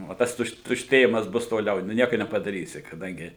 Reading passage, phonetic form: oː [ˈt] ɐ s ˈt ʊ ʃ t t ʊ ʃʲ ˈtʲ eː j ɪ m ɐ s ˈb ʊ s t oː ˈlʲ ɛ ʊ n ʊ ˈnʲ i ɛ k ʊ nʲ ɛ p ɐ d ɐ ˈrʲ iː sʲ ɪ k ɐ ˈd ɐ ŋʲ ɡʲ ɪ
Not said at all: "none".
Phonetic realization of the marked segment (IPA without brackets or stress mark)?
t